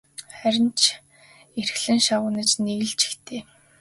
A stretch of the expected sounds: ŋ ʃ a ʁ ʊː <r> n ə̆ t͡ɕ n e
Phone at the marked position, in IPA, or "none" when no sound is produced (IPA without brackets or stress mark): none